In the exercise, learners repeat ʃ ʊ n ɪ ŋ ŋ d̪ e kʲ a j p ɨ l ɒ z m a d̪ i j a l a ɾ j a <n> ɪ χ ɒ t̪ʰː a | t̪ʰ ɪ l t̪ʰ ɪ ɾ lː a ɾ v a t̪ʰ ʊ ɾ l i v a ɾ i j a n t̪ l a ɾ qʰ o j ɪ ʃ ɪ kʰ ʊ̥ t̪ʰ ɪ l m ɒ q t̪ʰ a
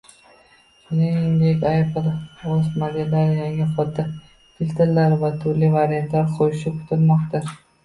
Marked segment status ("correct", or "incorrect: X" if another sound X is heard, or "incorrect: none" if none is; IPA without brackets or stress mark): incorrect: ŋ